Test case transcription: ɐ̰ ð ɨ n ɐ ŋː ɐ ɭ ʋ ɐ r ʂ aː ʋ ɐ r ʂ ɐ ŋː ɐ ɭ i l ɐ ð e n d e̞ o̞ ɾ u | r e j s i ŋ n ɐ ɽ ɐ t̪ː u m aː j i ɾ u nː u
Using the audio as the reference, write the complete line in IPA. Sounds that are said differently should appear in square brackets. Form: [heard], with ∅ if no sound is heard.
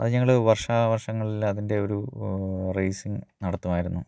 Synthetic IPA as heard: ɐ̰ ð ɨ [ɲ] ɐ ŋː ɐ ɭ ʋ ɐ r ʂ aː ʋ ɐ r ʂ ɐ ŋː ɐ ɭ i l ɐ ð [i] n d e̞ o̞ ɾ u | r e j s i ŋ n ɐ ɽ ɐ t̪ː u m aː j i ɾ u nː u